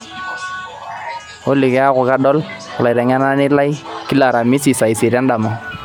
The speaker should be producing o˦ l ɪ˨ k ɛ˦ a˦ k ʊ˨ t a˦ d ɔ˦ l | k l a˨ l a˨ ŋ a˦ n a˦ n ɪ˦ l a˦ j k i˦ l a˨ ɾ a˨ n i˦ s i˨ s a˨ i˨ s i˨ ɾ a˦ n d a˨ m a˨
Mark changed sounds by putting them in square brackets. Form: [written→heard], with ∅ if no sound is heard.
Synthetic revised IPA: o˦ l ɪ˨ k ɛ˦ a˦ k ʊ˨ [t→k] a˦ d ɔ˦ l | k l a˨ [l→ɾ] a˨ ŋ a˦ n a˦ n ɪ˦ l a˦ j k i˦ l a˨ ɾ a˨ [n→m] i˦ s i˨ s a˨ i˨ s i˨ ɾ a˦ n d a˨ m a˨

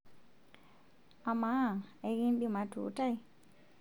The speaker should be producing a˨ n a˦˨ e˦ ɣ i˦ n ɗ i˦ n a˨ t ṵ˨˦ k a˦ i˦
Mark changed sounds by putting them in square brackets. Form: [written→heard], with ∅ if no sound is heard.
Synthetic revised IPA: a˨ [n→m] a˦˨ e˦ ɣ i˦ n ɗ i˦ [n→m] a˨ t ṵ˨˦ [k→t] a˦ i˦

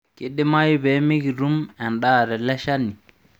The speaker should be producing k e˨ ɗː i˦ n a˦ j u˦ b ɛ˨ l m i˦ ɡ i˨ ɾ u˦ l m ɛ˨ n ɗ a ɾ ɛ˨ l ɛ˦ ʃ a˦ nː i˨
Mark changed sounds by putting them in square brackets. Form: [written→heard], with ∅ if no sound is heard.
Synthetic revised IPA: k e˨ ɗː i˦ [n→m] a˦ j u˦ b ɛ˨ [l→∅] m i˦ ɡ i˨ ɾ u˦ [l→∅] m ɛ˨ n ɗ a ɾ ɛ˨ l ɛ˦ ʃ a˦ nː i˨

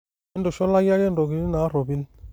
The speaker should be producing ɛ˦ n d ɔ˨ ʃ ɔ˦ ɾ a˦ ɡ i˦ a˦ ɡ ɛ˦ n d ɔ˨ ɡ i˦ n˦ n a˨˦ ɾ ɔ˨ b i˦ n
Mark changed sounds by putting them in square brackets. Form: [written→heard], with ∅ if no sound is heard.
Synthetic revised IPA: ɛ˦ n d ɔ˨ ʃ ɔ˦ [ɾ→l] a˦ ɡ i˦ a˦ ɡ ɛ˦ n d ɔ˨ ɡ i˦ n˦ n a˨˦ ɾ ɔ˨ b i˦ n

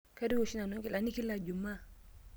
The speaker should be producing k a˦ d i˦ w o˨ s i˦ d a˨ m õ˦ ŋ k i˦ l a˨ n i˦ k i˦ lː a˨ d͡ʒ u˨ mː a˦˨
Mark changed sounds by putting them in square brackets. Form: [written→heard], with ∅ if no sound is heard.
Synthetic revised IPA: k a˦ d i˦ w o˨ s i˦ [d→n] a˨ [m→n] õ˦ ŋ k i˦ l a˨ n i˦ k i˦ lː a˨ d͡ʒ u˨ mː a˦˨

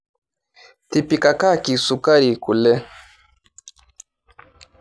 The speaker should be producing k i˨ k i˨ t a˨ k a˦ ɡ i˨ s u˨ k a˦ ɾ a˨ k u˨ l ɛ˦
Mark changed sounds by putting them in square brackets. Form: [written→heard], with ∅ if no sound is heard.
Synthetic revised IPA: [k→t] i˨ [k→p] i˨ [t→k] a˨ k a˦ [ɡ→k] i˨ s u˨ k a˦ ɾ [a˨→i˨] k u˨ l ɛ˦

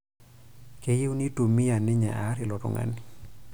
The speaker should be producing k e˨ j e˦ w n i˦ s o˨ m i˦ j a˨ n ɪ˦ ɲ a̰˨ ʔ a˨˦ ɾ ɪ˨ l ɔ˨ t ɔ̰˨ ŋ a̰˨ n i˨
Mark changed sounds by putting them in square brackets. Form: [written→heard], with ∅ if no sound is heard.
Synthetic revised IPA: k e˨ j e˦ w n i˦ [s→t] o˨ m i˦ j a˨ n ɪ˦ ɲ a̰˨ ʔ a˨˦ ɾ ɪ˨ l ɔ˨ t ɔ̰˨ ŋ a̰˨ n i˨

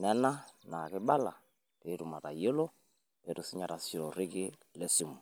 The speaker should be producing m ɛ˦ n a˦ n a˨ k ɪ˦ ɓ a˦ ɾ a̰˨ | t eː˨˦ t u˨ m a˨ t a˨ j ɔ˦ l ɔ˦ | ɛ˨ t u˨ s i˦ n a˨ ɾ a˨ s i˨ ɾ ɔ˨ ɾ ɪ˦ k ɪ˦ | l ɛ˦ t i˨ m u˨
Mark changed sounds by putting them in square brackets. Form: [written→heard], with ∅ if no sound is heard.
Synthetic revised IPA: [m→n] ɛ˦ n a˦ n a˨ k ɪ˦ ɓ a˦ [ɾ→l] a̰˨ | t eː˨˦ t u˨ m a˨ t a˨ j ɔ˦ l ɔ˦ | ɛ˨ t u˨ s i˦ [n→ɲ] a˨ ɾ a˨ s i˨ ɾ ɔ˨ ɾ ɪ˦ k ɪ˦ | l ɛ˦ [t→s] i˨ m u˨

